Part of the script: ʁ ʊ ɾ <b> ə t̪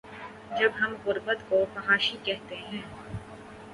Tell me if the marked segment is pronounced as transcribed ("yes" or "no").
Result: yes